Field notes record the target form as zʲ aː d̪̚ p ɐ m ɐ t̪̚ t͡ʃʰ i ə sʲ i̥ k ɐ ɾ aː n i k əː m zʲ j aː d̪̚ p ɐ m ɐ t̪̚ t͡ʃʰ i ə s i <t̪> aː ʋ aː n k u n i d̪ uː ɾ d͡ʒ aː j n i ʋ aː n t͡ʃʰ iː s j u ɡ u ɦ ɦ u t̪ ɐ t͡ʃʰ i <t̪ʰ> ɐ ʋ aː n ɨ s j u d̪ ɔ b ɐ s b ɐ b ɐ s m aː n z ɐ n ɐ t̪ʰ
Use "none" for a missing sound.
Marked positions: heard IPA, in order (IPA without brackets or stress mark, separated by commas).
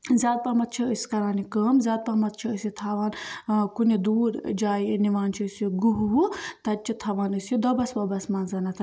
t̪ʰ, t̪ʰ